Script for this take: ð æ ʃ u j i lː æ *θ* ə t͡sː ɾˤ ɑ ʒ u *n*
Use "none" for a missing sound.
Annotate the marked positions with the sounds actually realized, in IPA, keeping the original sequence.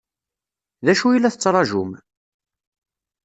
θ, m

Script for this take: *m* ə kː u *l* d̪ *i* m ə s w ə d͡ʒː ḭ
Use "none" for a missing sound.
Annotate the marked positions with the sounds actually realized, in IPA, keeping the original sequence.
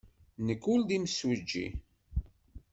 n, l, i

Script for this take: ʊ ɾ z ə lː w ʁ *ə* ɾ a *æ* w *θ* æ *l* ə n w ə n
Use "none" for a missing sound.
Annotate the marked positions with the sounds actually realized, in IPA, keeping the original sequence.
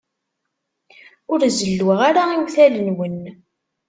a, i, θ, l

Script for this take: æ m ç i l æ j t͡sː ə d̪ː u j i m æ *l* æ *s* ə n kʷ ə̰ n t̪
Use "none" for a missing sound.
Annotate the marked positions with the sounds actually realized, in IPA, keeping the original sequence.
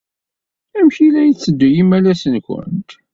l, s

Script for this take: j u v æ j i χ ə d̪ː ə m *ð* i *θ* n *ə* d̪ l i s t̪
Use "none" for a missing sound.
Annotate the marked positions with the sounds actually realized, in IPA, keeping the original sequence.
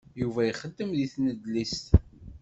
ð, θ, ə

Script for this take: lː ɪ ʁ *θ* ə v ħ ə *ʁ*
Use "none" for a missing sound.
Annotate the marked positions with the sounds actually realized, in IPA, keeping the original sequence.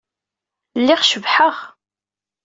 ʃ, ʁ

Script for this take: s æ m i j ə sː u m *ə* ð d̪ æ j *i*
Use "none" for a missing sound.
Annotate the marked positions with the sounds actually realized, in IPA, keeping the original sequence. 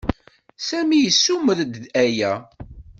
ə, æ

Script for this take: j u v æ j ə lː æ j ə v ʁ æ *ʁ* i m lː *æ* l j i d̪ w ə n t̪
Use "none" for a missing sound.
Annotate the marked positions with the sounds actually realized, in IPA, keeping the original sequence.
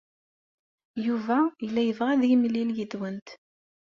ð, i

